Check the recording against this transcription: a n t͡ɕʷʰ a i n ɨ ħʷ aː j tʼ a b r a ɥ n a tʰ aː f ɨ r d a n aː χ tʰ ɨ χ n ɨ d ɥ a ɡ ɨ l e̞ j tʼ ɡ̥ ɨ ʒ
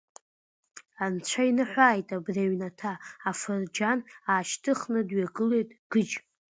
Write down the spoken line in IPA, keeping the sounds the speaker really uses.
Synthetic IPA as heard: a n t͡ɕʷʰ a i n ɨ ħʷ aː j tʼ a b r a ɥ n a tʰ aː f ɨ r d͡ʒ a n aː ʃ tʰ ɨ χ n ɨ d ɥ a ɡ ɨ l e̞ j tʼ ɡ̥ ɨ d͡ʒ